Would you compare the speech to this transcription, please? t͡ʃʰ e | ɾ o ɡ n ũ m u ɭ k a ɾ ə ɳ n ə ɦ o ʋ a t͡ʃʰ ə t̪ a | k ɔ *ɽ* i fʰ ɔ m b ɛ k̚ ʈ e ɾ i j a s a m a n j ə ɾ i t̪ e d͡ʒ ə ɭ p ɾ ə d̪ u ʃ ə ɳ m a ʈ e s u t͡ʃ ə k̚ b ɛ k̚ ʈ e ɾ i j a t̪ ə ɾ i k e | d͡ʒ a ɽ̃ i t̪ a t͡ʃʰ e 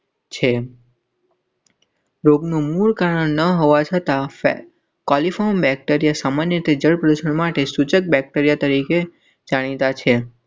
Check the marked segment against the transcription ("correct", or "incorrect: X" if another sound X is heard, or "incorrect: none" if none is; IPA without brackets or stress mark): incorrect: l